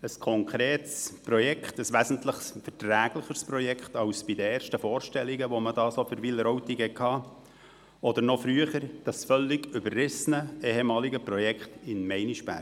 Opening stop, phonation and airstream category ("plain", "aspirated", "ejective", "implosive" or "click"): aspirated